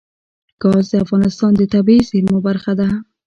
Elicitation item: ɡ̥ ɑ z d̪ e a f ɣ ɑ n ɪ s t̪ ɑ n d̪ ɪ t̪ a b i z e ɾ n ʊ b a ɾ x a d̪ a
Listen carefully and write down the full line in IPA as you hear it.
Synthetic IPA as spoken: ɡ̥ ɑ z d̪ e a f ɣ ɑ n ɪ s t̪ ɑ n d̪ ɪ t̪ a b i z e ɾ m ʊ b a ɾ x a d̪ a